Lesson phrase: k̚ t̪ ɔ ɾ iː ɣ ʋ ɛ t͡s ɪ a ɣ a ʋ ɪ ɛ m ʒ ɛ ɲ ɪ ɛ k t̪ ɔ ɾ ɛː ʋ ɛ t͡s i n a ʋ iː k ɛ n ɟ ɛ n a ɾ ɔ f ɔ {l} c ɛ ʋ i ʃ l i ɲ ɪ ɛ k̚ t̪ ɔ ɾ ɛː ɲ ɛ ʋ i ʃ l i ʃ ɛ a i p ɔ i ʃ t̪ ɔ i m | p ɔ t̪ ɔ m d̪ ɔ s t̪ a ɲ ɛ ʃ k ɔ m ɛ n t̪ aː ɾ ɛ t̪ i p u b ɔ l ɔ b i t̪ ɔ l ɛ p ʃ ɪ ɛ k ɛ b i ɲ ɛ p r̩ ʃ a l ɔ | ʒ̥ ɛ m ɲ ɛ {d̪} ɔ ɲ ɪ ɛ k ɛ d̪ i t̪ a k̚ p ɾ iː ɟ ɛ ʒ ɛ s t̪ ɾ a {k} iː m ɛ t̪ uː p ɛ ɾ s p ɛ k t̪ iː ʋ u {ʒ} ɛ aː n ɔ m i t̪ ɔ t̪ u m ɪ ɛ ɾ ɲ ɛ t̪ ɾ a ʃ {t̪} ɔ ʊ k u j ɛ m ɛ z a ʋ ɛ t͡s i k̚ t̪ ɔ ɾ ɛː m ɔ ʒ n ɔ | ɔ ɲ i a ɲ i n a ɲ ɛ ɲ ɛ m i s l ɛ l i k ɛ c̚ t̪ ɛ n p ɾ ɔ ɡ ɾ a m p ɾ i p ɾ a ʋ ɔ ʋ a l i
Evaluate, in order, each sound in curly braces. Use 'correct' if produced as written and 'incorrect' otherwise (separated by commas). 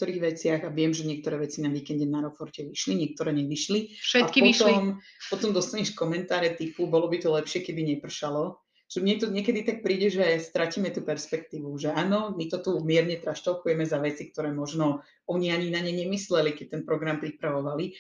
incorrect, incorrect, incorrect, correct, correct